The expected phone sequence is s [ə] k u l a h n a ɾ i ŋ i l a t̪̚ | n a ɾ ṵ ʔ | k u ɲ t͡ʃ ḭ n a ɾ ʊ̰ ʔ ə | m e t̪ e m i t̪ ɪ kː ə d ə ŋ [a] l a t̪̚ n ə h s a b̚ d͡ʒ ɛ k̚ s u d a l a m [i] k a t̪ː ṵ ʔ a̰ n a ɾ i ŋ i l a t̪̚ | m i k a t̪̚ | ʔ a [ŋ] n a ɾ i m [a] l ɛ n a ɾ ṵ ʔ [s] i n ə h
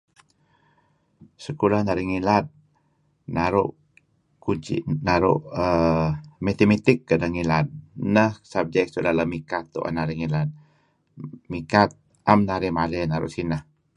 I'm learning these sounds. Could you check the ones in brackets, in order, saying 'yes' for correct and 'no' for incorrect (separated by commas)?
yes, no, yes, no, yes, yes